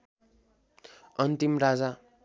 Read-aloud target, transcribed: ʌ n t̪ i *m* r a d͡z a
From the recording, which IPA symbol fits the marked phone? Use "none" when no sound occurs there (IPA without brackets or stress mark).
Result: m